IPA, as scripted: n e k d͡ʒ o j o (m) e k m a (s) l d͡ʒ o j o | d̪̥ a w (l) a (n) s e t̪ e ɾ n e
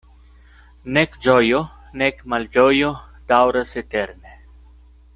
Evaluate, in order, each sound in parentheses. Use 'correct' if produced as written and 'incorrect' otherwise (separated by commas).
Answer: incorrect, incorrect, incorrect, incorrect